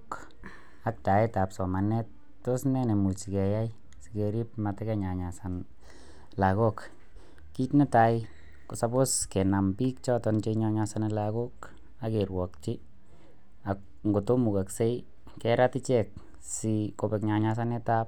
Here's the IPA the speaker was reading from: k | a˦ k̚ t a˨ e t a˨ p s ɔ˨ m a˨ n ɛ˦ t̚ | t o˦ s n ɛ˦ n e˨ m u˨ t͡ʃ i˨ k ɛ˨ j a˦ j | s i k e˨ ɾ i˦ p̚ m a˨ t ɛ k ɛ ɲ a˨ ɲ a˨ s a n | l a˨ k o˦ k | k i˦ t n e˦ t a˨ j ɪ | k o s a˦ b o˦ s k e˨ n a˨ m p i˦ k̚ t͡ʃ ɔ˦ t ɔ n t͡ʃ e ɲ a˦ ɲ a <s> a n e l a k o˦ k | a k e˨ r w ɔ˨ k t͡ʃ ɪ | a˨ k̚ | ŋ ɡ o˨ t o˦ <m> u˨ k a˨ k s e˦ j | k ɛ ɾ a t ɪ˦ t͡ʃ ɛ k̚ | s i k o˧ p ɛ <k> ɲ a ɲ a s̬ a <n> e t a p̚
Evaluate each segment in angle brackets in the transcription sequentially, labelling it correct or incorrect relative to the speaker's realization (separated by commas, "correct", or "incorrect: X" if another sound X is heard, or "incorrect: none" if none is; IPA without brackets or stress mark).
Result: correct, correct, correct, correct